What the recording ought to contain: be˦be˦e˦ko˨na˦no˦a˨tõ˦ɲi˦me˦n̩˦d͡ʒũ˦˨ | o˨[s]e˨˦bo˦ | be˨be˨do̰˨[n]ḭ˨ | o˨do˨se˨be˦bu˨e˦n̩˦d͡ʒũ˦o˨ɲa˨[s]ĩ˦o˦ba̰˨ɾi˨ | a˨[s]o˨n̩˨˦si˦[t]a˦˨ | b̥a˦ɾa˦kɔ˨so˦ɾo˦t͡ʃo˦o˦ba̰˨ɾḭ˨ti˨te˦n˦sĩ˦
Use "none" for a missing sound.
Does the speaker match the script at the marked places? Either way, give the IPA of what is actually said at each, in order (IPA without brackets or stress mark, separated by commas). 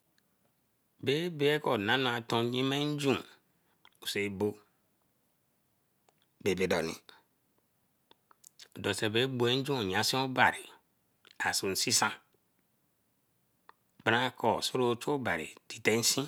s, n, s, s, s